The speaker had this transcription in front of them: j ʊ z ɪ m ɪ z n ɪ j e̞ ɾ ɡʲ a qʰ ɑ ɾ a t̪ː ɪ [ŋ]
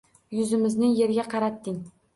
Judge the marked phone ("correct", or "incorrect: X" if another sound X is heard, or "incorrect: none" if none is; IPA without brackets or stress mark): correct